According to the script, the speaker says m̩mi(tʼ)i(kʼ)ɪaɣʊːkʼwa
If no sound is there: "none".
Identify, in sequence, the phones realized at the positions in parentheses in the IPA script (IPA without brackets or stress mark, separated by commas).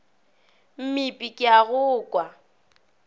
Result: pʼ, kʼ